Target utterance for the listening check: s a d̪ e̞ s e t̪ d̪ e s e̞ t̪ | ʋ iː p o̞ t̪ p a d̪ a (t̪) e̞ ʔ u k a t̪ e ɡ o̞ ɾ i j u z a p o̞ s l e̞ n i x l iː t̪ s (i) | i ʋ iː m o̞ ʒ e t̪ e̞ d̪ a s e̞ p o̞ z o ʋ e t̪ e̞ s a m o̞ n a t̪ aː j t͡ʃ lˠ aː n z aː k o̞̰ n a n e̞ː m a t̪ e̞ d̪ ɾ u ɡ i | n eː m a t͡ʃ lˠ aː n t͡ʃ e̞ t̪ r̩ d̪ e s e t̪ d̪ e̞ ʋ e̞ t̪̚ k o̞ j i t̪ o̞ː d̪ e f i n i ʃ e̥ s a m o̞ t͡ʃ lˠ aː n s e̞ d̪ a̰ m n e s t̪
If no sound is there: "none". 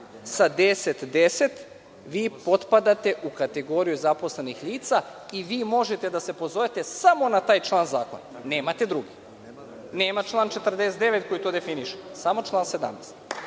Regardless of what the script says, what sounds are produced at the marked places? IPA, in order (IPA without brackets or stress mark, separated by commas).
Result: t̪, a